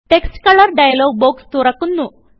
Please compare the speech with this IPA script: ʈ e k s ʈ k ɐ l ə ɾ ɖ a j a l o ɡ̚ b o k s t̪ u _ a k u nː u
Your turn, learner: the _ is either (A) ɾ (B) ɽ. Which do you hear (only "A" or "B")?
A